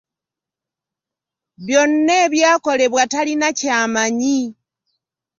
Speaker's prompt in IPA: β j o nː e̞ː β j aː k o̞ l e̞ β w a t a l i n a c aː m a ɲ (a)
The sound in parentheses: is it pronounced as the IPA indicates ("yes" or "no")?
no